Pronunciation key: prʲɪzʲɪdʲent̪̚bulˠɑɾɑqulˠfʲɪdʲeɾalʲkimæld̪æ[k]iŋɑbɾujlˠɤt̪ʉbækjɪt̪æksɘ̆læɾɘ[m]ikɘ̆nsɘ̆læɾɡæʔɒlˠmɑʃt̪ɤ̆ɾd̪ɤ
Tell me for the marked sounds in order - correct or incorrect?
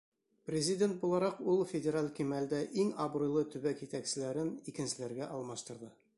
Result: incorrect: ʔ, incorrect: n

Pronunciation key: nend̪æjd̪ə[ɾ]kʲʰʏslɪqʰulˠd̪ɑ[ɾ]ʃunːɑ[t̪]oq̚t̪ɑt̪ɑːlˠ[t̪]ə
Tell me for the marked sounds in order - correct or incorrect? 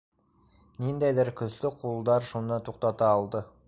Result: correct, correct, incorrect: t̪ʰ, incorrect: d̪

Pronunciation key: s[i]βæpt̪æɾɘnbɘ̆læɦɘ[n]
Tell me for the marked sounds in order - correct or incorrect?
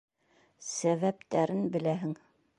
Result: incorrect: æ, incorrect: ŋ

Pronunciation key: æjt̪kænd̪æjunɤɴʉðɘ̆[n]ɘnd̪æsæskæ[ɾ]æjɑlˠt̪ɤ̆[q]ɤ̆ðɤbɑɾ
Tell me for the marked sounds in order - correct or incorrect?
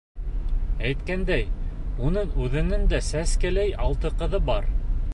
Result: correct, incorrect: l, correct

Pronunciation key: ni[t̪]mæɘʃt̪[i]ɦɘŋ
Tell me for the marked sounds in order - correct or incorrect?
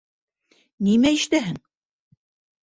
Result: incorrect: none, incorrect: æ

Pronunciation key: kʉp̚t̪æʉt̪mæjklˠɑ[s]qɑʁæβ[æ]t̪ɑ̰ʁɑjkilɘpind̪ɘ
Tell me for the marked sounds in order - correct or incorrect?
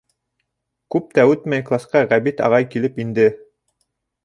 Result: correct, incorrect: i

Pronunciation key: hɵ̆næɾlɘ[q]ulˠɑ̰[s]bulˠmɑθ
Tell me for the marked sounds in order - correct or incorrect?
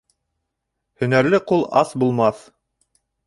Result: correct, correct

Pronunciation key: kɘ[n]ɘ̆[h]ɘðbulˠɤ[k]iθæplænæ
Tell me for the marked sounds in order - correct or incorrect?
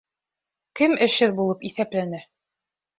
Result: incorrect: m, incorrect: ʃ, incorrect: p

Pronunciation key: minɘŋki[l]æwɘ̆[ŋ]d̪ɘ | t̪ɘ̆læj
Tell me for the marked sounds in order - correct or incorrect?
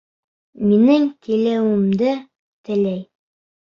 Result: correct, incorrect: m

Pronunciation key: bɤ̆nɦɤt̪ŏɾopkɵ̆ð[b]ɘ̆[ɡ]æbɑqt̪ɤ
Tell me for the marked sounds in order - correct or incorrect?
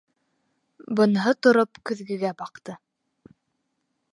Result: incorrect: ɡ, correct

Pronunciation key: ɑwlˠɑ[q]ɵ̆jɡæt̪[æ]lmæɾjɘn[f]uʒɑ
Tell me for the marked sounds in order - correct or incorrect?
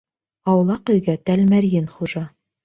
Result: correct, correct, incorrect: χ

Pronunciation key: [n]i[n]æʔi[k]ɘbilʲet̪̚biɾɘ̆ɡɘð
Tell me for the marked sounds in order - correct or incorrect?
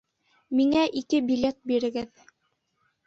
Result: incorrect: m, incorrect: ŋ, correct

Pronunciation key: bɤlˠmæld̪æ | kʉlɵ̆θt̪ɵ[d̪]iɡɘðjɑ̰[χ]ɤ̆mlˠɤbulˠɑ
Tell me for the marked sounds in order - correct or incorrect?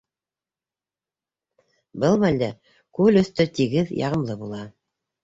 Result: incorrect: t̪, incorrect: ʁ

